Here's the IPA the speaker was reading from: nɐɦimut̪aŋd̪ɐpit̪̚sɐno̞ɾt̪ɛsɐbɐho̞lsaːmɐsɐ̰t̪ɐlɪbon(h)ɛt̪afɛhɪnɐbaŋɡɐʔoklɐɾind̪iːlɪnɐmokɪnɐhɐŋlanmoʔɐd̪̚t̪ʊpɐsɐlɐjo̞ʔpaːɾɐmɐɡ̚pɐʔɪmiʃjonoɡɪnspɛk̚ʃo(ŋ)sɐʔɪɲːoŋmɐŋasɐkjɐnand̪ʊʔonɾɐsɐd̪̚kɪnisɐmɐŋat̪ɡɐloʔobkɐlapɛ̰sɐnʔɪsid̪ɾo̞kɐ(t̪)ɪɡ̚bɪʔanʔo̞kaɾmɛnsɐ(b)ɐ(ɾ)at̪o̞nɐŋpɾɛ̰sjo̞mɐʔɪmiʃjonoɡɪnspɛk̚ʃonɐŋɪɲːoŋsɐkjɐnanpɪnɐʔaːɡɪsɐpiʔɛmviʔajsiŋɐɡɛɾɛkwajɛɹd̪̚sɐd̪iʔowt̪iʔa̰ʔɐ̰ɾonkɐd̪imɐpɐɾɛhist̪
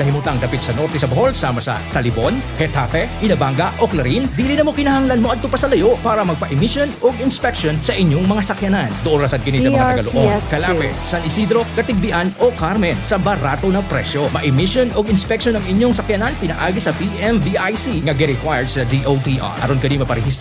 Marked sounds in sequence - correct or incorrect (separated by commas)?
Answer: correct, incorrect, correct, correct, correct